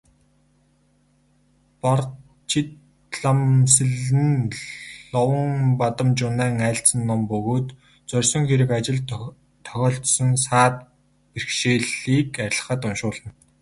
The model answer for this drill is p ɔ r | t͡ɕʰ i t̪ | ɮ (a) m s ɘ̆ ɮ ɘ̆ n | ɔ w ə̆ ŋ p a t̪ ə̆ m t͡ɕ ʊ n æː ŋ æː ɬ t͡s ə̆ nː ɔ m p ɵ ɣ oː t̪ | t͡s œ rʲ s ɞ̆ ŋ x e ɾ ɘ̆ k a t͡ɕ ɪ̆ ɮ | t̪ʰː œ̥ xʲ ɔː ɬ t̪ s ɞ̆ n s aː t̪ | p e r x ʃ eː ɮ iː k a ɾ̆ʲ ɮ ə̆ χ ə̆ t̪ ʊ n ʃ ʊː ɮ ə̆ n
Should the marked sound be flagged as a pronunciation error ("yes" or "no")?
no